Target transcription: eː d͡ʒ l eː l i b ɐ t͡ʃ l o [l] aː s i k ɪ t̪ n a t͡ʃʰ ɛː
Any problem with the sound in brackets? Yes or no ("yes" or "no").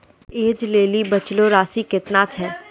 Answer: yes